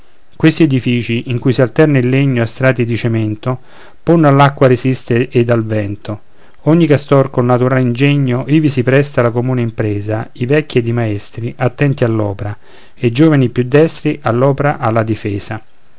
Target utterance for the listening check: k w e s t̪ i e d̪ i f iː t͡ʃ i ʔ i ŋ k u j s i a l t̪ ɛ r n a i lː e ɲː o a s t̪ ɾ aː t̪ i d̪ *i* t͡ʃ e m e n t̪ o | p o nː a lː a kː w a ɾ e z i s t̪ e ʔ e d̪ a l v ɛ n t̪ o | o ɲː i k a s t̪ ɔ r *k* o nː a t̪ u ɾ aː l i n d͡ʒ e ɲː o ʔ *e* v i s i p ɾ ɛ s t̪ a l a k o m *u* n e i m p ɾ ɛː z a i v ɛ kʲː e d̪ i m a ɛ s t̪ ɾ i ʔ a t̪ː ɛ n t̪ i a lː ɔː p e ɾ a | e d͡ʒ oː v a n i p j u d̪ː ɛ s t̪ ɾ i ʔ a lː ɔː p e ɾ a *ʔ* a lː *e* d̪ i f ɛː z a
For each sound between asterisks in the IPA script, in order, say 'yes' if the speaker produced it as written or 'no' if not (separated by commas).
yes, yes, no, no, yes, no